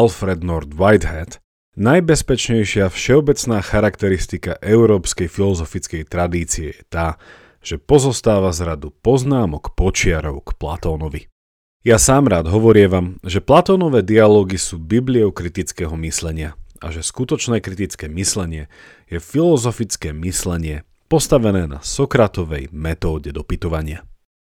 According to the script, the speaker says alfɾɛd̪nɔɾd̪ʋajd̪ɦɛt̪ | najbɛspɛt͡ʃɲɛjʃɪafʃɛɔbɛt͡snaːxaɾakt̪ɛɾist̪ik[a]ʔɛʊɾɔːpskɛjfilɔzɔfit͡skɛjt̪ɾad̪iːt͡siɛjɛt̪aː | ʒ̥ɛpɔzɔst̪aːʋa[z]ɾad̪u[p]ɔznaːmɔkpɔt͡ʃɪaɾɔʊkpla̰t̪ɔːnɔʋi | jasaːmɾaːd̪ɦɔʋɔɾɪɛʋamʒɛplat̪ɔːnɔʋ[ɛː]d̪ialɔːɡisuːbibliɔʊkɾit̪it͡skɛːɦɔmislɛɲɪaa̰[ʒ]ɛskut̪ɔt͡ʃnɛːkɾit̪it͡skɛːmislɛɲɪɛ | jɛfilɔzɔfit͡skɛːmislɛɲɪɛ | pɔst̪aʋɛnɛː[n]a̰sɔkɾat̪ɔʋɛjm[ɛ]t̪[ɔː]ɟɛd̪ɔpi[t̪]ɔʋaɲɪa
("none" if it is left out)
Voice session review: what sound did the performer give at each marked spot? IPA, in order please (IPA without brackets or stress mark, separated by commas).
a, z, p, ɛː, ʒ, n, ɛ, ɔː, t̪